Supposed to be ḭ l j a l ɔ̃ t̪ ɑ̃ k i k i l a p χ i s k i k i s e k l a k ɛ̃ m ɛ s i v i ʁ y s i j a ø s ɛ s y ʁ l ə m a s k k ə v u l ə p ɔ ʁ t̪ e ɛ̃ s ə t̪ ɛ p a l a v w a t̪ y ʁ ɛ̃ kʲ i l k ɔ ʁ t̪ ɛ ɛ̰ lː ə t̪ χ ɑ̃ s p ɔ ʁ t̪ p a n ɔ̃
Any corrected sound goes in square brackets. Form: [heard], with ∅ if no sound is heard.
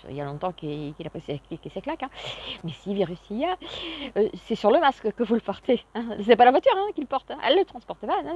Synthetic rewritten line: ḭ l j a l ɔ̃ t̪ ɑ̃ k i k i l a p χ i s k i k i s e k l a k ɛ̃ m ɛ s i v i ʁ y s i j a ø s ɛ s y ʁ l ə m a s k k ə v u l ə p ɔ ʁ t̪ e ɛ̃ s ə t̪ ɛ p a l a v w a t̪ y ʁ ɛ̃ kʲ i l [p] ɔ ʁ t̪ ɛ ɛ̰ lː ə t̪ χ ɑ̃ s p ɔ ʁ t̪ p a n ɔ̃

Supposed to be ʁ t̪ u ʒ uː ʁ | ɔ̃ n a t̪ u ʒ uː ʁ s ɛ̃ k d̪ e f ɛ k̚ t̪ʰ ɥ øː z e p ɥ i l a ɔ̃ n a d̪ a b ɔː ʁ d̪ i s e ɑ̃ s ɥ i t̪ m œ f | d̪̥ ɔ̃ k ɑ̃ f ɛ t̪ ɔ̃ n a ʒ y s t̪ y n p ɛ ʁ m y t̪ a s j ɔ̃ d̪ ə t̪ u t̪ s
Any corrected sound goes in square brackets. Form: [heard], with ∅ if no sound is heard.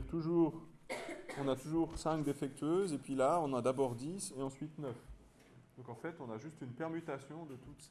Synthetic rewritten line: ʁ t̪ u ʒ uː ʁ | ɔ̃ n a t̪ u ʒ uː ʁ s ɛ̃ k d̪ e f ɛ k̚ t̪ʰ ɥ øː z e p ɥ i l a ɔ̃ n a d̪ a b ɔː ʁ d̪ i s e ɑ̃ s ɥ i t̪ [n] œ f | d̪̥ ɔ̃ k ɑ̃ f ɛ t̪ ɔ̃ n a ʒ y s t̪ y n p ɛ ʁ m y t̪ a s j ɔ̃ d̪ ə t̪ u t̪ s

